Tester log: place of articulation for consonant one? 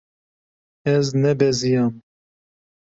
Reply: alveolar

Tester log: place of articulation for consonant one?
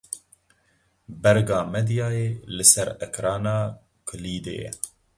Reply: labial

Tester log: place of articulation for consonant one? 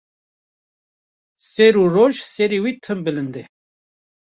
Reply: alveolar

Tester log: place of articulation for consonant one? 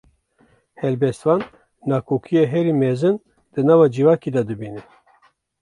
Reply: glottal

